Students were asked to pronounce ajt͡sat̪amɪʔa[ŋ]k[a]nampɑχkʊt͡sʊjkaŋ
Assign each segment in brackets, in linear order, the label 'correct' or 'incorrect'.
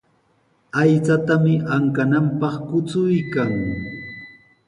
correct, correct

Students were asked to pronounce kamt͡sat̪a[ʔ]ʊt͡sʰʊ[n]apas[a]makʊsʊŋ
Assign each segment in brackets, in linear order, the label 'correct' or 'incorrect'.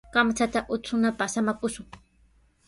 correct, correct, correct

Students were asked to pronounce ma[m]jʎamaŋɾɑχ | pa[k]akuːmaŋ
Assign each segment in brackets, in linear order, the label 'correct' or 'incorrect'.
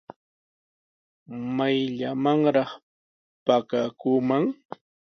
incorrect, correct

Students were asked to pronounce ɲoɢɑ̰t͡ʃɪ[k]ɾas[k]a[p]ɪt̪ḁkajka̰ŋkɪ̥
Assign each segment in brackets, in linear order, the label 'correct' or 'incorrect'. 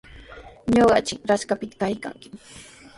correct, correct, correct

